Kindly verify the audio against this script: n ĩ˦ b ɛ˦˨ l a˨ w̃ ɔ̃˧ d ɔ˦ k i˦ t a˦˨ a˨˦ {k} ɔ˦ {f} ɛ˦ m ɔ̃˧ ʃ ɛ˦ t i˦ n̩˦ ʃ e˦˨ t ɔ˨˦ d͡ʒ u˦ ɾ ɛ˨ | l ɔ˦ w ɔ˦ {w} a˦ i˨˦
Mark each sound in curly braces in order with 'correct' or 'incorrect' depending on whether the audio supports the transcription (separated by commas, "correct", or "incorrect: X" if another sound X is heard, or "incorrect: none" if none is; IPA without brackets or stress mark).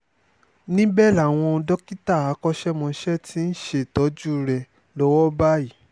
correct, incorrect: ʃ, incorrect: b